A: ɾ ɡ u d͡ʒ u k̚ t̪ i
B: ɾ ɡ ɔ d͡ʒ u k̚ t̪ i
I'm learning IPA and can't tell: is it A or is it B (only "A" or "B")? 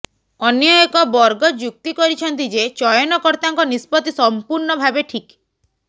B